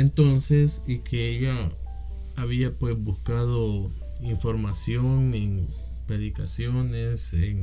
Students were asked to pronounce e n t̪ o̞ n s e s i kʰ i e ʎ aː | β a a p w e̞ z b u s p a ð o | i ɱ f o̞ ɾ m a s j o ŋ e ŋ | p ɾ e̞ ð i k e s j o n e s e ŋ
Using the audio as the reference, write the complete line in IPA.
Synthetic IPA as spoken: e n t̪ o̞ n s e s i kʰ e e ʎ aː | β i a p w e̞ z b u s k a ð o | i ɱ f o̞ ɾ m a s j o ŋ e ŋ | p ɾ e̞ ð i k a s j o n e s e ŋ